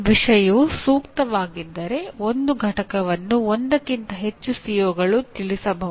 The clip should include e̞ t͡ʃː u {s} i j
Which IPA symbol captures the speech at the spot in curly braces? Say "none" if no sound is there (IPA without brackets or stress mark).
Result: s